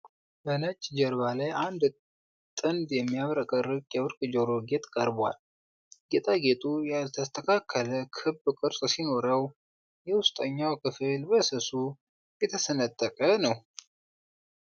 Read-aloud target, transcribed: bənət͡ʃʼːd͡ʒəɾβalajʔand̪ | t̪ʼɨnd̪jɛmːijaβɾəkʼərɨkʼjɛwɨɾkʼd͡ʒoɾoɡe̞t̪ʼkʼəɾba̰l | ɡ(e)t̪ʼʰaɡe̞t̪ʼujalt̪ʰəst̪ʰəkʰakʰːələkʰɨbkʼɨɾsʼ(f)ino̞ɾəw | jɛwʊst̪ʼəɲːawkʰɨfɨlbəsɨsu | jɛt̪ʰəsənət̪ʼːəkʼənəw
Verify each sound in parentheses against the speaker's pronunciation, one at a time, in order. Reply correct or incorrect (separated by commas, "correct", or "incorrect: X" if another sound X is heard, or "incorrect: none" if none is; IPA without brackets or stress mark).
correct, incorrect: s